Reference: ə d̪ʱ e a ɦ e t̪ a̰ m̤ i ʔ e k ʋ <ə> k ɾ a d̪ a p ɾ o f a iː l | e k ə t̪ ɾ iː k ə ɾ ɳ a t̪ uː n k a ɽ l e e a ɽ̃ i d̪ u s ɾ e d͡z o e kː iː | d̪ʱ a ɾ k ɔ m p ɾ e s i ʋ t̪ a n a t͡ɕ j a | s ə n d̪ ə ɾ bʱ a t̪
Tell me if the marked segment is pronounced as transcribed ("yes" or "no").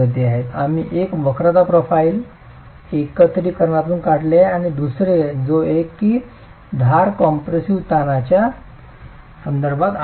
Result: yes